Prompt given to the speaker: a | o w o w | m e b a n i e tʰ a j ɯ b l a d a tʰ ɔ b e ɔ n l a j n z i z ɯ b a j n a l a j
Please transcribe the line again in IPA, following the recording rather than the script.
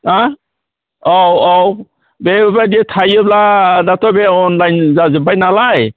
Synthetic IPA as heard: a | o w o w | b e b a d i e tʰ a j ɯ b l a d a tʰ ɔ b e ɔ n l a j n z a z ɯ b a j n a l a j

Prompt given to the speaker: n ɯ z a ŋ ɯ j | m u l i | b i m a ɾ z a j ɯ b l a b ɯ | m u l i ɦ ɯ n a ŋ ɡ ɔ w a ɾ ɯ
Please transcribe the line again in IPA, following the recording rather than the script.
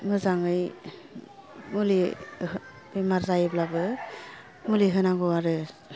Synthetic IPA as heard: m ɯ z a ŋ ɯ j | m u l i | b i m a ɾ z a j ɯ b l a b ɯ | m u l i ɦ ɯ n a ŋ ɡ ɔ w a ɾ ɯ

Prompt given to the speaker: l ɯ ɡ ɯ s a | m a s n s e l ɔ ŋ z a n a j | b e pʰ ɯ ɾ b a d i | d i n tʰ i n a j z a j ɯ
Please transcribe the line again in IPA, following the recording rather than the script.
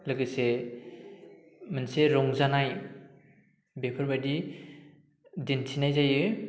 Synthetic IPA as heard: l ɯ ɡ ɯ s e | m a n s e ɾ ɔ ŋ z a n a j | b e pʰ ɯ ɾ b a d i | d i n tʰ i n a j z a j ɯ

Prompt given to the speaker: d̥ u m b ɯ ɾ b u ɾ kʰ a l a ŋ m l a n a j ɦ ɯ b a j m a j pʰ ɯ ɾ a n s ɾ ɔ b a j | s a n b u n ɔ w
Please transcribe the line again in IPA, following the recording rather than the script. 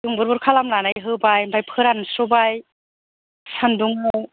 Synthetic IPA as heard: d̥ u ŋ b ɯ ɾ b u ɾ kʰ a l a m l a n a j ɦ ɯ b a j b a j pʰ ɯ ɾ a n s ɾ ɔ b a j | s a n d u ŋ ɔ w

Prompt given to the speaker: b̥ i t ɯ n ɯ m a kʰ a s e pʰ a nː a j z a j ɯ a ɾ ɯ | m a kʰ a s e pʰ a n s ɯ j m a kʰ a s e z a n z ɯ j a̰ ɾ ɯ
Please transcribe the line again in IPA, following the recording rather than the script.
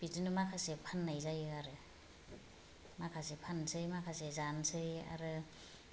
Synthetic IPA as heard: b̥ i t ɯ n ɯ m a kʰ a s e pʰ a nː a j z a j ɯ a ɾ ɯ | m a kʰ a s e pʰ a n s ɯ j m a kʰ a s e z a n s ɯ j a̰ ɾ ɯ

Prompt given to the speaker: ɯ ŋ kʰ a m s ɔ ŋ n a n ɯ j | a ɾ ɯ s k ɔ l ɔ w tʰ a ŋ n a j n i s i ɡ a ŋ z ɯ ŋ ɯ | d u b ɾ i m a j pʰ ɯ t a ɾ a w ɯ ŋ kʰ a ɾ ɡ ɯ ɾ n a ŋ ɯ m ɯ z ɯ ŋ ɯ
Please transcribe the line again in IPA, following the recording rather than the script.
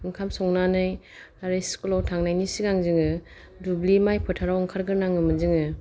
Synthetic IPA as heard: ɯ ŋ kʰ a m s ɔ ŋ n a n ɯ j | a ɾ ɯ s k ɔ l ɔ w tʰ a ŋ n a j n i s i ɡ a ŋ z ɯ ŋ ɯ | d u b l i m a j pʰ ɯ tʰ a ɾ a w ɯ ŋ kʰ a ɾ ɡ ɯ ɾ n a ŋ ɯ m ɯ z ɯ ŋ ɯ

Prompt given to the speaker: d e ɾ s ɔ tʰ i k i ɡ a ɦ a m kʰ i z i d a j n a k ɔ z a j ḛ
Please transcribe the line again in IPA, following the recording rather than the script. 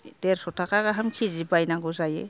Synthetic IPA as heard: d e ɾ s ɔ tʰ a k a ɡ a ɦ a m kʰ i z i b a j n a ɡ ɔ z a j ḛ

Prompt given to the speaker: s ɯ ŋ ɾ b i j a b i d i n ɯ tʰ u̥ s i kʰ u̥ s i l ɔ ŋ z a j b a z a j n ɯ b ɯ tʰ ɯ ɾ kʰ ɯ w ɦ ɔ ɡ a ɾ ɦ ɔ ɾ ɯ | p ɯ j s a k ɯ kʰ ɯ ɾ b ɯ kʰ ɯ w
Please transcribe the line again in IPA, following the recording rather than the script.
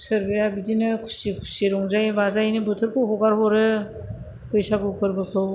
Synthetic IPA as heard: s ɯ ɾ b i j a b i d i n ɯ kʰ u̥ s i kʰ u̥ s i ɾ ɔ ŋ z a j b a z a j n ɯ b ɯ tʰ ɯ ɾ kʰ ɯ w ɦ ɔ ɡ a ɾ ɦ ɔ ɾ ɯ | p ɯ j s a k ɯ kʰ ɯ ɾ b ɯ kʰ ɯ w

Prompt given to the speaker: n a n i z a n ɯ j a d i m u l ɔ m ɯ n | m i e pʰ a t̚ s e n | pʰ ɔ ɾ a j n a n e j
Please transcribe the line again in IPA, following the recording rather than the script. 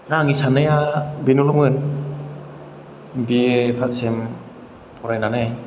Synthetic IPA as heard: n a ŋ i s a n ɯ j a b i n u l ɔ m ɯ n | b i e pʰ a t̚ s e m | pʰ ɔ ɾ a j n a n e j

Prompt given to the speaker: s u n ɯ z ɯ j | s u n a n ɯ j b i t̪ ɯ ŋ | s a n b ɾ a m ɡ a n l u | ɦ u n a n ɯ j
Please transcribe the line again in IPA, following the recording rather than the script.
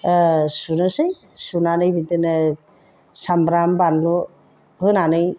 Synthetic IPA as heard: s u n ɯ s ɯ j | s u n a n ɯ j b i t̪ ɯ n | s a m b ɾ a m b a n l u | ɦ ɯ n a n ɯ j

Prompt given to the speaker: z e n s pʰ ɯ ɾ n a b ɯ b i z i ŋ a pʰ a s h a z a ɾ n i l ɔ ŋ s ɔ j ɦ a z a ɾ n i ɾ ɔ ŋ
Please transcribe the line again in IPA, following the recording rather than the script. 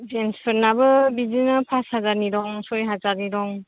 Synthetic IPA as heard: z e n s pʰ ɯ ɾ n a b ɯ b i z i n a pʰ a s h a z a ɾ n i ɾ ɔ ŋ s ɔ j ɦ a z a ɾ n i ɾ ɔ ŋ

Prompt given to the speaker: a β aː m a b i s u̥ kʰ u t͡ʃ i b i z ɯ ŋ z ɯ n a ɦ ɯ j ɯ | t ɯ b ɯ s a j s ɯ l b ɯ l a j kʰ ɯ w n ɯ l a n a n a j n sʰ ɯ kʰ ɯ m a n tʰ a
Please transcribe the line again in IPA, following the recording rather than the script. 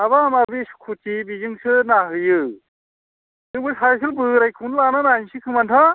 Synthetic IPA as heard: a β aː m a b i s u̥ kʰ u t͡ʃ i b i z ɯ ŋ s ɯ n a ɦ ɯ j ɯ | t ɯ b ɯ s a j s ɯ l b ɯ ɾ a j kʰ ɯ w n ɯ l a n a n a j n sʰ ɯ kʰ ɯ m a n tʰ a

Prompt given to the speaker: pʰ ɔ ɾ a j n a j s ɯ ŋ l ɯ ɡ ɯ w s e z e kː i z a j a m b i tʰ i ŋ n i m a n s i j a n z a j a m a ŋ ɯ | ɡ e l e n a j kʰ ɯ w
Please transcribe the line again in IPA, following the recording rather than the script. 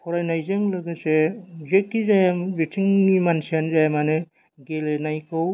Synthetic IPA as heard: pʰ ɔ ɾ a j n a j z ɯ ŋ l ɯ ɡ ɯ s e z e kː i z a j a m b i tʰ i ŋ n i m a n s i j a n z a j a m a n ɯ | ɡ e l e n a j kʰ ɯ w

